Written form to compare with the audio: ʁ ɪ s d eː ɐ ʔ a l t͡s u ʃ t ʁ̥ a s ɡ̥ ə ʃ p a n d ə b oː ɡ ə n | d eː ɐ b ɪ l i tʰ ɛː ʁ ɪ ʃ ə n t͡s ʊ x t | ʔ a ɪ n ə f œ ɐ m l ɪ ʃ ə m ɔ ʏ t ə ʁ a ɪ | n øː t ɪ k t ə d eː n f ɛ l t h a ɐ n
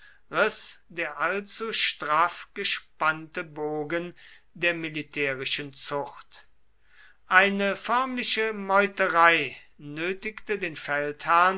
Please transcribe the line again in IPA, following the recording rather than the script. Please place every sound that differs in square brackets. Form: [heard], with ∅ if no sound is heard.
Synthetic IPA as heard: ʁ ɪ s d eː ɐ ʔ a l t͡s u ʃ t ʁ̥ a [f] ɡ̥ ə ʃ p a n [t] ə b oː ɡ ə n | d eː ɐ [m] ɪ l i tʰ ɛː ʁ ɪ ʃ ə n t͡s ʊ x t | ʔ a ɪ n ə f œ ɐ m l ɪ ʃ ə m ɔ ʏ t ə ʁ a ɪ | n øː t ɪ k t ə d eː n f ɛ l t h a ɐ n